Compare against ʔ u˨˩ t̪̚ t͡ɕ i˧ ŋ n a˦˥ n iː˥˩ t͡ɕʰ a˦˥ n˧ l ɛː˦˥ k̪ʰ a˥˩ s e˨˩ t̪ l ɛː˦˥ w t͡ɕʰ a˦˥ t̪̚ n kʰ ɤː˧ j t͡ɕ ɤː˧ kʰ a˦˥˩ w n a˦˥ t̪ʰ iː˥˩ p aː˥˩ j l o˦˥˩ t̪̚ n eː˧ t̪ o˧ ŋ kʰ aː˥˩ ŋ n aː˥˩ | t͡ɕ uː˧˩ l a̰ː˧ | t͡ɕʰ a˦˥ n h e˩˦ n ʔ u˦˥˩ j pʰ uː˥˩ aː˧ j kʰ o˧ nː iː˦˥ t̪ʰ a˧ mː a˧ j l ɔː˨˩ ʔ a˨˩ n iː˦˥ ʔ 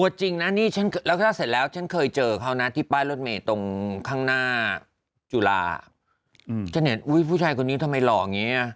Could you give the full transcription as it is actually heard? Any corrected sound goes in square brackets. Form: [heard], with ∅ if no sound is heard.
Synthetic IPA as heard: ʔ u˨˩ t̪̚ t͡ɕ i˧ ŋ n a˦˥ n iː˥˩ t͡ɕʰ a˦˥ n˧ l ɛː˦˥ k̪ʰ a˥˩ s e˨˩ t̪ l ɛː˦˥ w t͡ɕʰ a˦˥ [∅] n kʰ ɤː˧ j t͡ɕ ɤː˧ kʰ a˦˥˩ w n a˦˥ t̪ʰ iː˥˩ p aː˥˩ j l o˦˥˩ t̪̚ [m] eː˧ t̪ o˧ ŋ kʰ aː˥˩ ŋ n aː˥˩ | t͡ɕ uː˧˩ l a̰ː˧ | t͡ɕʰ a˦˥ n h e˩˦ n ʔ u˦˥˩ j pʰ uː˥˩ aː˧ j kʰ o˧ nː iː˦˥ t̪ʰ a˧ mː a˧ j l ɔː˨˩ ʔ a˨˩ [ŋ] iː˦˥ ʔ